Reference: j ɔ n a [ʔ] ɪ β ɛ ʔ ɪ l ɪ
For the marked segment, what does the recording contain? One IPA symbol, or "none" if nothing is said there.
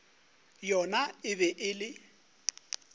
none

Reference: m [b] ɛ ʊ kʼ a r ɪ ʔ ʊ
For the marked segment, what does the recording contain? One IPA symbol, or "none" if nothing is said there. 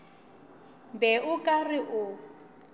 b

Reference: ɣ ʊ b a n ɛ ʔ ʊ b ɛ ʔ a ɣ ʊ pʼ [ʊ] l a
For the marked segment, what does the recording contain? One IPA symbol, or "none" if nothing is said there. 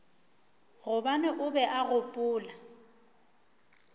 ʊː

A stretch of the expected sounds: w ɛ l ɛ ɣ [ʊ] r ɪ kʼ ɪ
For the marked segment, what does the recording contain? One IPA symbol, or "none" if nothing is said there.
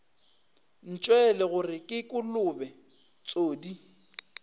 ʊ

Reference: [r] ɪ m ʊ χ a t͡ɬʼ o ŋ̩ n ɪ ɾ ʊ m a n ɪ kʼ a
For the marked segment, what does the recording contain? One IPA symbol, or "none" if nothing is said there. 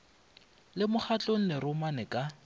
l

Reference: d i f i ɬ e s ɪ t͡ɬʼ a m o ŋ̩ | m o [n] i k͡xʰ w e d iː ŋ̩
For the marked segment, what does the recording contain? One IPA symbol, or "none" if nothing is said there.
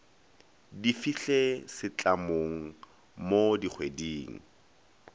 d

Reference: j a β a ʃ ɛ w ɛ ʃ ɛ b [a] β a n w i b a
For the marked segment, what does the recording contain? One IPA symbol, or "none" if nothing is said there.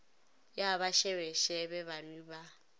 ɛ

